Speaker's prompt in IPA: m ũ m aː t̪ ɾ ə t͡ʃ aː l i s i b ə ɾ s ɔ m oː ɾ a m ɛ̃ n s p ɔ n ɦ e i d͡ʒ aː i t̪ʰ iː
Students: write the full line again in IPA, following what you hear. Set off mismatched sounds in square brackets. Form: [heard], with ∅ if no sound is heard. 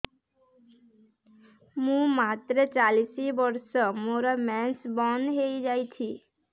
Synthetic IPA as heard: m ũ m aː t̪ ɾ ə t͡ʃ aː l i s i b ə ɾ s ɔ m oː ɾ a m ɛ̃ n s [b] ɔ n ɦ e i d͡ʒ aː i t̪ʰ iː